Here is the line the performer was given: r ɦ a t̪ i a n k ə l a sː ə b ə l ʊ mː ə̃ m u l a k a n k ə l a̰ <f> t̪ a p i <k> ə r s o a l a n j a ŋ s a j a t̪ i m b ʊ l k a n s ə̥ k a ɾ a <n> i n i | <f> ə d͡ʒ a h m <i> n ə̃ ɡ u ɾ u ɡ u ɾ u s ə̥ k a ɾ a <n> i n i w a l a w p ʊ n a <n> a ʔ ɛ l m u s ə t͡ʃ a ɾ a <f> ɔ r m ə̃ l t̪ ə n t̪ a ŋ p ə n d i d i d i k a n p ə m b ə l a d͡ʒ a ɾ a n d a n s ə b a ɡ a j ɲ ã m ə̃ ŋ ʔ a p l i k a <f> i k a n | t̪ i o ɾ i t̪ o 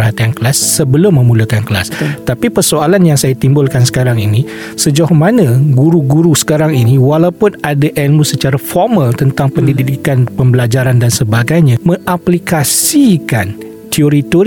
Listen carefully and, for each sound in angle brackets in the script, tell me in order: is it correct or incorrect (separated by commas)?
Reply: incorrect, incorrect, incorrect, incorrect, incorrect, incorrect, incorrect, correct, incorrect